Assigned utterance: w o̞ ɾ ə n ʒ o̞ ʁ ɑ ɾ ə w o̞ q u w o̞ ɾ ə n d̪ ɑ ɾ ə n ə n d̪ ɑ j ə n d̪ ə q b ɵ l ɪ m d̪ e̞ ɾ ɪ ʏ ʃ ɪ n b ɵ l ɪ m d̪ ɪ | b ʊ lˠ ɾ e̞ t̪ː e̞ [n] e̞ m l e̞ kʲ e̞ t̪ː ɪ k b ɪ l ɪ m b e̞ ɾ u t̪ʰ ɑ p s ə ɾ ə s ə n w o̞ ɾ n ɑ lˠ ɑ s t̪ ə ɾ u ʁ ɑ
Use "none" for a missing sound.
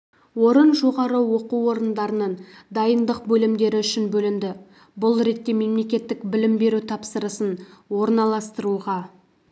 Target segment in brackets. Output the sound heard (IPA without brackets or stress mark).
m